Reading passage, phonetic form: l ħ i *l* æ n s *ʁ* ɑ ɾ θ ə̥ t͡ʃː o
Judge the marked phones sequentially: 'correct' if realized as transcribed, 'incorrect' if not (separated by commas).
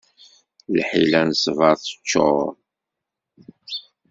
correct, incorrect